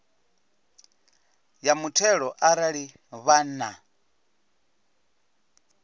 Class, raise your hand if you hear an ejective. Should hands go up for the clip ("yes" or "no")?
no